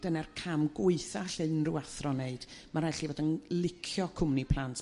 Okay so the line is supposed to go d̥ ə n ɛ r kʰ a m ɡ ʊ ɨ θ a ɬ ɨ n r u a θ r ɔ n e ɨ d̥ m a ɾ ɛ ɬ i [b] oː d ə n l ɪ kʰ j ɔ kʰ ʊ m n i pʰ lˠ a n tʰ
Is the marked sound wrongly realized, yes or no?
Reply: yes